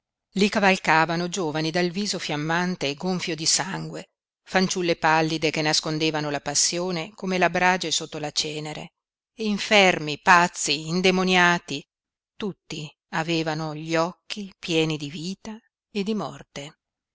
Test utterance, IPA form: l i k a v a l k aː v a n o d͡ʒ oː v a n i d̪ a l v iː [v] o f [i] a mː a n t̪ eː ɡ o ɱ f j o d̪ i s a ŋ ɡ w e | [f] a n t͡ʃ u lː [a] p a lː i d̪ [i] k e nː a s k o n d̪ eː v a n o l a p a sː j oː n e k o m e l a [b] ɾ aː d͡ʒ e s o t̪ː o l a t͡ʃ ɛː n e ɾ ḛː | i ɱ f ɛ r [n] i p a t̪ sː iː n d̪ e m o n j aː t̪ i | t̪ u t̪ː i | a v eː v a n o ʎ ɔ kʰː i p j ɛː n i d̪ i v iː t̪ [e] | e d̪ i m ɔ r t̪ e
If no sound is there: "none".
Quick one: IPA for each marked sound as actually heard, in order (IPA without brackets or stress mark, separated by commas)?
z, j, f, e, e, b, m, a